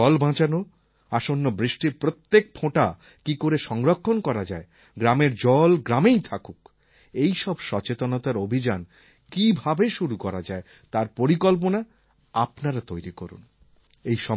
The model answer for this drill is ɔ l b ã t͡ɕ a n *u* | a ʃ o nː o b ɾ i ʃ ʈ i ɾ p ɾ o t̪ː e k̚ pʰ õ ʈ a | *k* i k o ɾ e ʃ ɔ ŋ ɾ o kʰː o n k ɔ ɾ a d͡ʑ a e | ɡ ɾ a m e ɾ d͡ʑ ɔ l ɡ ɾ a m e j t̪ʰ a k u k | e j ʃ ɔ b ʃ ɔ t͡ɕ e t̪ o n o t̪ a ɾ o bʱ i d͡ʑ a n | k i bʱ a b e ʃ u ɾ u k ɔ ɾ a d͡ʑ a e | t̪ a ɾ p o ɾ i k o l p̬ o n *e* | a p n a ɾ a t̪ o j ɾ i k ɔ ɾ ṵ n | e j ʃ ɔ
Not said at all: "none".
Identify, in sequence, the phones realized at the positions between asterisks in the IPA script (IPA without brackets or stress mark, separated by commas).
o, k, a